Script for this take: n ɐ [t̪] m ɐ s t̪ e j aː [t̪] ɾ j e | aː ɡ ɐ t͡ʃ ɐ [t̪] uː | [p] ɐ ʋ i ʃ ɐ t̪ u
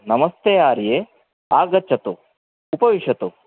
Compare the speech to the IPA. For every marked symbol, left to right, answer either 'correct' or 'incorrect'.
incorrect: none, incorrect: none, correct, correct

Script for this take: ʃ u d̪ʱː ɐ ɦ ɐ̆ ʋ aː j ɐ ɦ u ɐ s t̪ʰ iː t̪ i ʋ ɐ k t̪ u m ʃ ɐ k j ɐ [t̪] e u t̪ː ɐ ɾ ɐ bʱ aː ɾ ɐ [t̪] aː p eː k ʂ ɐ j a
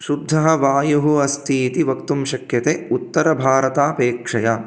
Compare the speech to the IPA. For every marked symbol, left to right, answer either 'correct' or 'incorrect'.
correct, correct

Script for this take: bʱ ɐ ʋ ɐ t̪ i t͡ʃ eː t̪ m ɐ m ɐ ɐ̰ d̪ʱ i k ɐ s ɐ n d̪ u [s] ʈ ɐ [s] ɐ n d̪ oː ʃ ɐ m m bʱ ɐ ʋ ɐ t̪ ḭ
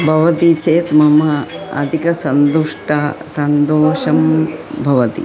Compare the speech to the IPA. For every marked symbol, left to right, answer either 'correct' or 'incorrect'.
incorrect: ʂ, correct

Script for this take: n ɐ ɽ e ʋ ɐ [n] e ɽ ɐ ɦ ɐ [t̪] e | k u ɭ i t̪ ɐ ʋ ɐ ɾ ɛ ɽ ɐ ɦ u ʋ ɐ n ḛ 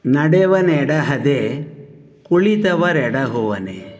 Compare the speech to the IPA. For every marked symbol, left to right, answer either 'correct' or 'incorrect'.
correct, incorrect: d̪

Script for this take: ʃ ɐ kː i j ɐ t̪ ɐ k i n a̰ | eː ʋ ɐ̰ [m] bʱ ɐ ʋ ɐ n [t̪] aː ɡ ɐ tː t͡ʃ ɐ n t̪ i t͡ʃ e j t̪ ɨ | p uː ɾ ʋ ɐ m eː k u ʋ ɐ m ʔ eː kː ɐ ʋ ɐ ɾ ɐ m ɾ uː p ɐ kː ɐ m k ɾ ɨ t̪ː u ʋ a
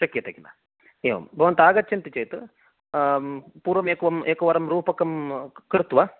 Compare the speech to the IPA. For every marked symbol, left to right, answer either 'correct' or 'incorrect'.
correct, correct

